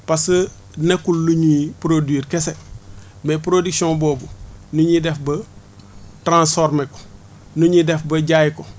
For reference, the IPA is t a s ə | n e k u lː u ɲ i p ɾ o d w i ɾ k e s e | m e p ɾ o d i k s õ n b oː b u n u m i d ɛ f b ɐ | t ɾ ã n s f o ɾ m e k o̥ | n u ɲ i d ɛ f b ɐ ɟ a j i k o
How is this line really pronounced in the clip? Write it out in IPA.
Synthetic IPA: p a s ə | n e k u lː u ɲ i p ɾ o d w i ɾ k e s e | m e p ɾ o d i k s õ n b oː b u n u ɲ i d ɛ f b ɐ | t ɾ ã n s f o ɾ m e k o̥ | n u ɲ i d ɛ f b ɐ ɟ a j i k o